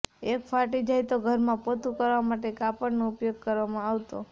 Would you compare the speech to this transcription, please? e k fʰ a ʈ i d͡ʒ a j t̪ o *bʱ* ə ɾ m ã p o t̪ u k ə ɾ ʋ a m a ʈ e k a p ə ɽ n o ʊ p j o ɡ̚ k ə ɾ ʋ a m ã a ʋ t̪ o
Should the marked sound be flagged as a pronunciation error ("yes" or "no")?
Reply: yes